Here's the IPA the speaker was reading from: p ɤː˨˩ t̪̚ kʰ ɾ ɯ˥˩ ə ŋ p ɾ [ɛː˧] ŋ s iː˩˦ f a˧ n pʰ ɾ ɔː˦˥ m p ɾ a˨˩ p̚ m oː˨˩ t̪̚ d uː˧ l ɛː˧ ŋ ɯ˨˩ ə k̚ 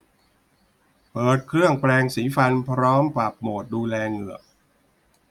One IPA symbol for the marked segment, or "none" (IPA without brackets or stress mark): ɛː˧